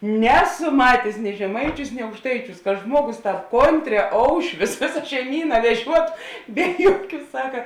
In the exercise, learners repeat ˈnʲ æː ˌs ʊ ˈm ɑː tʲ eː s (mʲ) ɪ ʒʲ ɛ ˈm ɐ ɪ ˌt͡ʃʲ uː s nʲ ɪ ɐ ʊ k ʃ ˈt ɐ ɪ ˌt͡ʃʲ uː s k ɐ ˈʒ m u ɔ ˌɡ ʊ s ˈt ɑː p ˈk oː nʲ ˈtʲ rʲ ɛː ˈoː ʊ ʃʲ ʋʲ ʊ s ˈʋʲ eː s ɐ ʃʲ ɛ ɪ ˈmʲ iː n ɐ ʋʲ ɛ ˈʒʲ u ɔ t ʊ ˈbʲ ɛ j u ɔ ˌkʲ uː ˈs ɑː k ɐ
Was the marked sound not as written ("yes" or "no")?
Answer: yes